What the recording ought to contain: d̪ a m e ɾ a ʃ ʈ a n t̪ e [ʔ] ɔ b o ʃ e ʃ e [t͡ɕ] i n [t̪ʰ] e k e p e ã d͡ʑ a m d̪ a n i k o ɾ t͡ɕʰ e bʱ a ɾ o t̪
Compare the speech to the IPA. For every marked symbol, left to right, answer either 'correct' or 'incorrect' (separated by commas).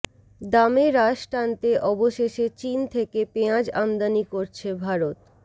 correct, correct, correct